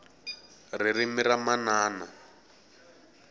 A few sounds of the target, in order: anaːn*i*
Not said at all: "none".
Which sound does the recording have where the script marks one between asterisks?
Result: a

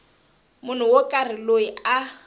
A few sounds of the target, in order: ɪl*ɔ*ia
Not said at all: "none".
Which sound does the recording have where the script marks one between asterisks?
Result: o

